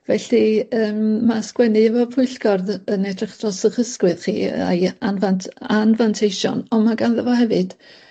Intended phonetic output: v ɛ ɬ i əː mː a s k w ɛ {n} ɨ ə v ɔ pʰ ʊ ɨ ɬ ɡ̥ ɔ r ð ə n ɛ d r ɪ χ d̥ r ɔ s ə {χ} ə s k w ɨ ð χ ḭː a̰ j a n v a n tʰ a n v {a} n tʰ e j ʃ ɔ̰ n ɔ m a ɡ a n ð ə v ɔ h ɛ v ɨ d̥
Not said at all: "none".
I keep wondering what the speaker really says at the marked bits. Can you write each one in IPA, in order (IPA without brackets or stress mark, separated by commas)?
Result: n, χ, a